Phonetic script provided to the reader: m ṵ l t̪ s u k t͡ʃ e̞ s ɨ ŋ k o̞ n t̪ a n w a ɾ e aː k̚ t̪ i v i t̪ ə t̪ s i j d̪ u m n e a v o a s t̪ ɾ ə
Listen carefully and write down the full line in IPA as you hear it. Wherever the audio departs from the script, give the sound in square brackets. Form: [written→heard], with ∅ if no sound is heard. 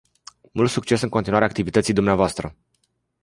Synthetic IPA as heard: m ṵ l t̪ s u k t͡ʃ e̞ s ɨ ŋ k o̞ n t̪ [a→i] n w a ɾ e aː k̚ t̪ i v i t̪ ə t̪ s i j d̪ u m n e a v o a s t̪ ɾ ə